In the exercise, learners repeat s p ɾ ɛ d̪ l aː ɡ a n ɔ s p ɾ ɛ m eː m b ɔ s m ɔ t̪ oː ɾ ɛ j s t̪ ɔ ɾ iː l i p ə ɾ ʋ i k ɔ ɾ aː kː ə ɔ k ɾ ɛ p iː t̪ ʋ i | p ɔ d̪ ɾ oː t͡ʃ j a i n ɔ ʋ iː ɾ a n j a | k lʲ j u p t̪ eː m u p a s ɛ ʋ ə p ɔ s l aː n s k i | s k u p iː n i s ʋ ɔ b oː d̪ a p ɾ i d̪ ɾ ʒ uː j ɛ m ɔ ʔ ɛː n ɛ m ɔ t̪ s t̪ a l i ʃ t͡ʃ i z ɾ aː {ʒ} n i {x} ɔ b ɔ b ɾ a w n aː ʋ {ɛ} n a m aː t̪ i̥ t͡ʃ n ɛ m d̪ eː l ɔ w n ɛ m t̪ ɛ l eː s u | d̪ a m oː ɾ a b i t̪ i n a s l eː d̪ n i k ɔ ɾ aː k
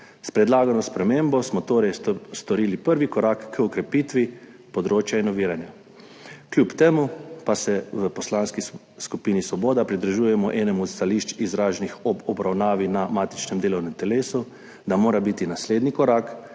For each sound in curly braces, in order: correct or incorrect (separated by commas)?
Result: correct, correct, incorrect